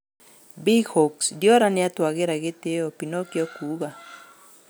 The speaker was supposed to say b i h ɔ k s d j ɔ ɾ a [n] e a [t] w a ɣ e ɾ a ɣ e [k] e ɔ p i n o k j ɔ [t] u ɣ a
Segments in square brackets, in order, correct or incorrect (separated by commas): correct, correct, incorrect, incorrect